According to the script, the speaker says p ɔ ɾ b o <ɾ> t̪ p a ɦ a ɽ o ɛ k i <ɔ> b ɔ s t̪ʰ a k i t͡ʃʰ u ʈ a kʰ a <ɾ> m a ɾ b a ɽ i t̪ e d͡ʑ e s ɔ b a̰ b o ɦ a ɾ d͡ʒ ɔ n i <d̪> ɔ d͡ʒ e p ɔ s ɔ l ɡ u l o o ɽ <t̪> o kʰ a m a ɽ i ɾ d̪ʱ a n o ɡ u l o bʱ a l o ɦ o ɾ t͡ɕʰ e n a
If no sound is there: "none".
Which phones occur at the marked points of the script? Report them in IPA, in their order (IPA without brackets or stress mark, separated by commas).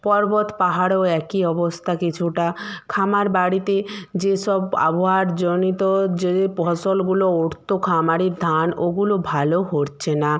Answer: none, ɔ, none, t̪, t̪